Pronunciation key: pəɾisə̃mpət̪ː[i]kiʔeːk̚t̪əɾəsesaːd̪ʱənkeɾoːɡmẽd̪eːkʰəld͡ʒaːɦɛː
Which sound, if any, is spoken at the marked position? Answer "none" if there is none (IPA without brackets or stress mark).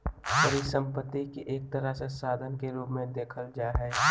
i